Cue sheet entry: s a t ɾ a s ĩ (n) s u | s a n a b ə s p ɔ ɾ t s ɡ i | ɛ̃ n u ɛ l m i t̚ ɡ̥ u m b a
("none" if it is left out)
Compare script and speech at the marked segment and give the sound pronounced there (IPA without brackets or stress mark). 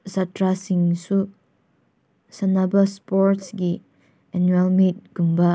ŋ